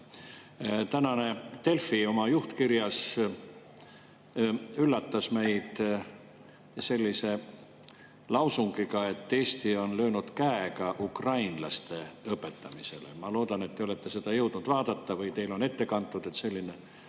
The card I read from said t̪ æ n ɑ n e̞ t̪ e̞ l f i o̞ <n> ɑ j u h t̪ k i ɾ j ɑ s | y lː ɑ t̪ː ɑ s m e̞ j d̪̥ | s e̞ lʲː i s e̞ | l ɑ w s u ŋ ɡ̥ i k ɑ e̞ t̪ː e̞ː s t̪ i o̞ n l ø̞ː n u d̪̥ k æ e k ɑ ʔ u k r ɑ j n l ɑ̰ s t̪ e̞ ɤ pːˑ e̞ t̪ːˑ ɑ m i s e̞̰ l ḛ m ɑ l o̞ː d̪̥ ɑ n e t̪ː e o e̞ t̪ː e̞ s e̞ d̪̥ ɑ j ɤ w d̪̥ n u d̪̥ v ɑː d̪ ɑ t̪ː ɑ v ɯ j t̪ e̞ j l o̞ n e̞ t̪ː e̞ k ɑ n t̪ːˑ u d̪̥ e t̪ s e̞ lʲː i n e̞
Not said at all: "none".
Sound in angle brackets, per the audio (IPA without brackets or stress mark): m